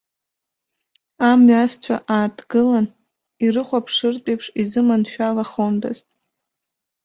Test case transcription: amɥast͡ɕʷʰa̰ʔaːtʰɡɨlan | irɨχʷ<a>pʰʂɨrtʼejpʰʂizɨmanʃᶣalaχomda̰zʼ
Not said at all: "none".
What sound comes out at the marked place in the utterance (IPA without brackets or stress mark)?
a